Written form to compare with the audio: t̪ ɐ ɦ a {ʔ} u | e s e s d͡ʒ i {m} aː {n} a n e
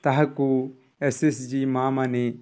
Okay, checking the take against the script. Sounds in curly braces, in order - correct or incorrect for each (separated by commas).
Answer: incorrect, correct, incorrect